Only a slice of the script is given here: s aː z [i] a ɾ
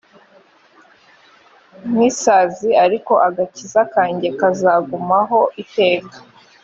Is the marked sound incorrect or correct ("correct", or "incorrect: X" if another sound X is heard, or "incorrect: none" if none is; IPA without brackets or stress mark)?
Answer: correct